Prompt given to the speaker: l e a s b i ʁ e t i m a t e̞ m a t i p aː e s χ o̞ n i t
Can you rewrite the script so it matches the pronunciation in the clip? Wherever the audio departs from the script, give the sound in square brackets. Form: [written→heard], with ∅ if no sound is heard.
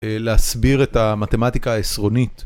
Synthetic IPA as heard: l e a s b i ʁ e t [i→a] m a t e̞ m a t i [p→k] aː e s [χ→ʁ] o̞ n i t